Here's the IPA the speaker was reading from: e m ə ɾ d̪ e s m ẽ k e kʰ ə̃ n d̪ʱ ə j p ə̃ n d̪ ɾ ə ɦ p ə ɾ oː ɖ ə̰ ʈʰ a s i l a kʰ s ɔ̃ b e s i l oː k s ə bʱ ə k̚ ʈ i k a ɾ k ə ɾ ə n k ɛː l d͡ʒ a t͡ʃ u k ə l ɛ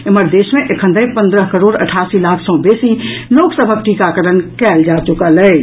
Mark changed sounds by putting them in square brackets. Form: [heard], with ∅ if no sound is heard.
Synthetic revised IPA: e m ə ɾ d̪ e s m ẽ [ʔ] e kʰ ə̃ n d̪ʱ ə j p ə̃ n d̪ ɾ ə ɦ [k] ə ɾ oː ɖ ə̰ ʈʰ a s i l a kʰ s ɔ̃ b e s i l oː k s ə bʱ ə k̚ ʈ i k a [∅] k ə ɾ ə n k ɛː l d͡ʒ a t͡ʃ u k ə l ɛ